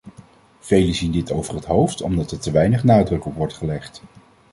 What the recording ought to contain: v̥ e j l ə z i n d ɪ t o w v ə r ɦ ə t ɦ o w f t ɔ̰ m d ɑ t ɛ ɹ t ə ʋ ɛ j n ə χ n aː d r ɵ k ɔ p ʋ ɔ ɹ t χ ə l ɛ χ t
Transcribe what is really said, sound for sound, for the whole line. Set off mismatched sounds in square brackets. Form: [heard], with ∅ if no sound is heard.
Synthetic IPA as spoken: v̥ e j l ə z i n d ɪ t o w v ə r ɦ ə t ɦ o w f t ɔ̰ m d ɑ t ɛ ɹ t ə ʋ ɛ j n ə χ n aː d r ɵ k ɔ p ʋ ɔ ɹ t χ ə l ɛ χ t